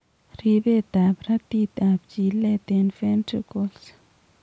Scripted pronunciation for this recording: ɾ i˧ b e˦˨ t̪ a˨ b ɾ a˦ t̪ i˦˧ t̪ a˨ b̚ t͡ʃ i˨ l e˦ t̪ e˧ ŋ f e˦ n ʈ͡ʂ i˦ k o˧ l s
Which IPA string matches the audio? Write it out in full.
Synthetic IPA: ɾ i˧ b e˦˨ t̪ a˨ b ɾ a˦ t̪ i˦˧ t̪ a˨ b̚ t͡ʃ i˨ l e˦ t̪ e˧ n f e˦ n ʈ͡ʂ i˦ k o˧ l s